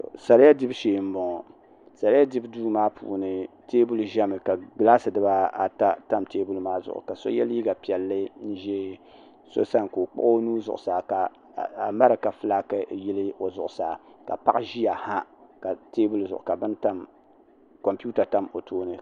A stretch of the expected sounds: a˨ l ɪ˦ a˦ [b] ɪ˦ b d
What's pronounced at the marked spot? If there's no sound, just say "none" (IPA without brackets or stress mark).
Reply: d